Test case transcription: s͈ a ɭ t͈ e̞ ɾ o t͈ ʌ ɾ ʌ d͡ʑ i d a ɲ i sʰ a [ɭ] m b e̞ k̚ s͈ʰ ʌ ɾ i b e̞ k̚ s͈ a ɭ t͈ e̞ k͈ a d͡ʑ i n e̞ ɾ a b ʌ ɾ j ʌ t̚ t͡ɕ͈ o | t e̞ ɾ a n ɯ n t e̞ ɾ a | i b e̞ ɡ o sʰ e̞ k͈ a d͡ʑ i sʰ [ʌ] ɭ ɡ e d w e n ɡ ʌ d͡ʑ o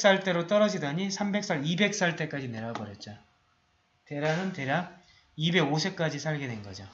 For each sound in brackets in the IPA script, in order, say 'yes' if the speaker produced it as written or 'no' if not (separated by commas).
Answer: no, no